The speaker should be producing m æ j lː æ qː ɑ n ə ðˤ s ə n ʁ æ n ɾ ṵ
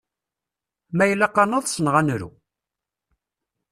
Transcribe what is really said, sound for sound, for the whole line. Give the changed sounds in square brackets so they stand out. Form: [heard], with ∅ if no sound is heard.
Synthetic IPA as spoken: m æ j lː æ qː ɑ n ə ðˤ s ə n ʁ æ n ɾ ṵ